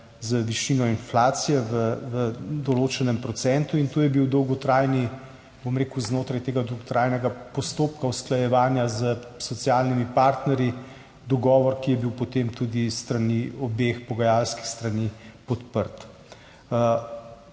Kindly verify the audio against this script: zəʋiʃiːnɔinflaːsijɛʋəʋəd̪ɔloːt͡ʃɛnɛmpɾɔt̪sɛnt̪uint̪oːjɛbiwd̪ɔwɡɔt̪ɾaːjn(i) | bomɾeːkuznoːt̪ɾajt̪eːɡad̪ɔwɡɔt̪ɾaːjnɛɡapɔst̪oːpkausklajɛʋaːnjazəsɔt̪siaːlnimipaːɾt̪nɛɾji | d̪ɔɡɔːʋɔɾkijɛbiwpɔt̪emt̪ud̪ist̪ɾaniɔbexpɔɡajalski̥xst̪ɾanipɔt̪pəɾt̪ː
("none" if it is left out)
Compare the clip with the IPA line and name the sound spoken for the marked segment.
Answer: i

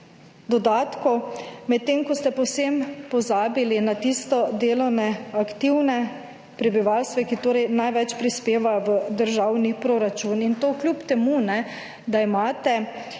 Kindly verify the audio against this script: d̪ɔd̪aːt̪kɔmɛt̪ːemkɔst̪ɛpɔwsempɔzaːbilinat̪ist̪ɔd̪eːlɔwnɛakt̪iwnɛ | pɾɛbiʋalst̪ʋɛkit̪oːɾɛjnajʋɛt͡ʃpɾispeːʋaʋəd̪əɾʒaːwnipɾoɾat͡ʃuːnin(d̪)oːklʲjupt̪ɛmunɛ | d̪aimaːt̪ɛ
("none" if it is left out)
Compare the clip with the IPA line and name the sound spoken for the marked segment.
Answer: t̪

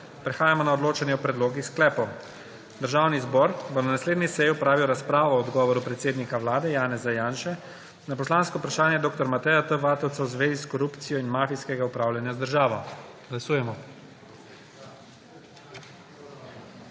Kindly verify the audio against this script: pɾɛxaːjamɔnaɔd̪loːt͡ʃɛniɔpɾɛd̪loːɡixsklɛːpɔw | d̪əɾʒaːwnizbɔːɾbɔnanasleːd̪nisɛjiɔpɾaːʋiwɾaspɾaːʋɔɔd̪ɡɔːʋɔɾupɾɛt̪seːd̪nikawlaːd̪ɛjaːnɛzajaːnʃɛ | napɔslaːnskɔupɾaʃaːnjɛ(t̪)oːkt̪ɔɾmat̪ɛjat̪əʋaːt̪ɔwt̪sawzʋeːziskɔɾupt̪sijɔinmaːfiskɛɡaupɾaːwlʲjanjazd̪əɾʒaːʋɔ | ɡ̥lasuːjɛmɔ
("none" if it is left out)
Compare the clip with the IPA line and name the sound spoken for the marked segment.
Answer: d̪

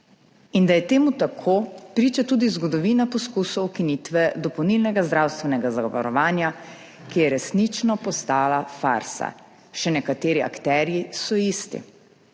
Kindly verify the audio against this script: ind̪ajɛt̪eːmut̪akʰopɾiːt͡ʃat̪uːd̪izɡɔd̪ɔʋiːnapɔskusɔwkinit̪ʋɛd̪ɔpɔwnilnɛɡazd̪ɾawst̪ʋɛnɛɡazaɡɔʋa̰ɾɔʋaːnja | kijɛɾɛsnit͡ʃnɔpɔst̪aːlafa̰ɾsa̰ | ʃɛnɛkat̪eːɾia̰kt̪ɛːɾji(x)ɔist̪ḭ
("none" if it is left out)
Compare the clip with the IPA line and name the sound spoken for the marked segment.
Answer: s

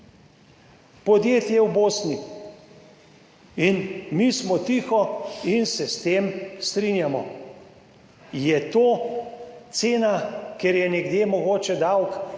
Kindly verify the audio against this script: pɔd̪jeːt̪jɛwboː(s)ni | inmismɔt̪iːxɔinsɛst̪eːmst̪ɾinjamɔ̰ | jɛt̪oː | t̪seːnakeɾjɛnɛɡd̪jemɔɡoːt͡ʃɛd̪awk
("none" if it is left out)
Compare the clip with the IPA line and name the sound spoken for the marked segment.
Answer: s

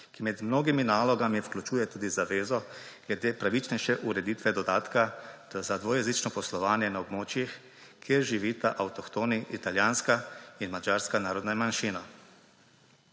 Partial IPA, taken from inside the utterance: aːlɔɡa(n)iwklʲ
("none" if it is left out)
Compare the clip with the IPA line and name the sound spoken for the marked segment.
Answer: m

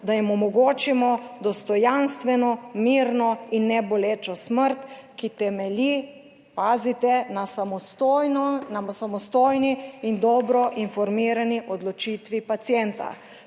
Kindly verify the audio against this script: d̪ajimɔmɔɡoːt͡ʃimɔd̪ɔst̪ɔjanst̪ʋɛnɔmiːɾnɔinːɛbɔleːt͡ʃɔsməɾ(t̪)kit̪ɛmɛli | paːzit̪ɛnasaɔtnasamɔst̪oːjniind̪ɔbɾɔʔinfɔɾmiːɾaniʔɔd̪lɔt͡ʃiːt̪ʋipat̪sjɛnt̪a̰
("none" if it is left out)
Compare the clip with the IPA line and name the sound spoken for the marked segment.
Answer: t̪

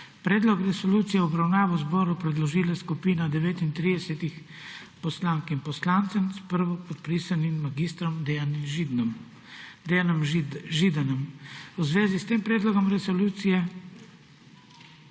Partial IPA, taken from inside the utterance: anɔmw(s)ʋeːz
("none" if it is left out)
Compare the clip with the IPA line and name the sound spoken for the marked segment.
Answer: z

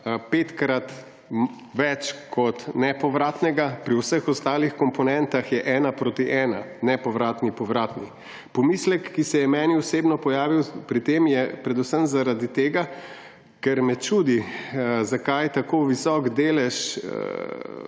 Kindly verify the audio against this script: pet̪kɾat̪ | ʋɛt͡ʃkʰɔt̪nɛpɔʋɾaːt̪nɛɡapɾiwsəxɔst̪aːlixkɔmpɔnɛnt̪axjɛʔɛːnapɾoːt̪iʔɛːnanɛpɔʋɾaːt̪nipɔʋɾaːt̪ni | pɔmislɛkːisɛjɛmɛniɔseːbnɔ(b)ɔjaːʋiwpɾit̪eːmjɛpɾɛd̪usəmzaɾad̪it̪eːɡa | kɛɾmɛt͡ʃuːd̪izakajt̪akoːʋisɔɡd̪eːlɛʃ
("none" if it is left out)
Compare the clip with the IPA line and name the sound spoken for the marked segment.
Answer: p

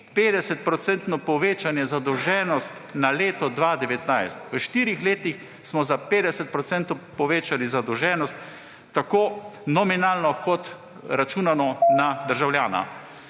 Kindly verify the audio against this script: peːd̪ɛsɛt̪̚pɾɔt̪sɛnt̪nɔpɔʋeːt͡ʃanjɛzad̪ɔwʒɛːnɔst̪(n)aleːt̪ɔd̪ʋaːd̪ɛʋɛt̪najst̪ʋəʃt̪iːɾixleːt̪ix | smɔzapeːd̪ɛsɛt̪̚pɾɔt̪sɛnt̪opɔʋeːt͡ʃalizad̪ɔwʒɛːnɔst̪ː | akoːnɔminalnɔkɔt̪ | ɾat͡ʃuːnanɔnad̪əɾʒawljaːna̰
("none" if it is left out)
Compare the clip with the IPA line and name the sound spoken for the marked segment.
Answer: n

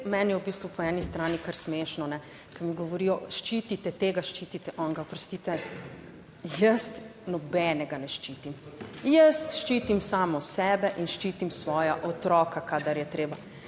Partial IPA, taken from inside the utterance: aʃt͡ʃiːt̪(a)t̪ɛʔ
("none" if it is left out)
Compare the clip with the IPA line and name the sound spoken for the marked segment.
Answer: i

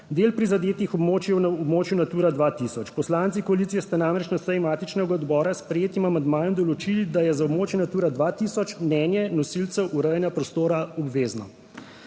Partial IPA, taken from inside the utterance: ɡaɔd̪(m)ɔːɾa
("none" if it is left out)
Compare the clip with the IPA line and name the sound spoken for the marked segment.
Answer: b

